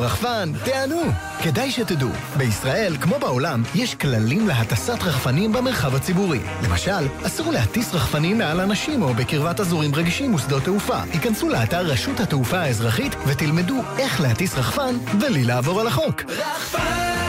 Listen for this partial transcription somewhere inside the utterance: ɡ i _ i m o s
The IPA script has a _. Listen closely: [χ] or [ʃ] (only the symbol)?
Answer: ʃ